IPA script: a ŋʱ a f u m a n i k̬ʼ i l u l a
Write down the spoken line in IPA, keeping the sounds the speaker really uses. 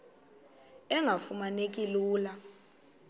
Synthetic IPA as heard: ɛ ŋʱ a f u m a n e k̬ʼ i l uː l a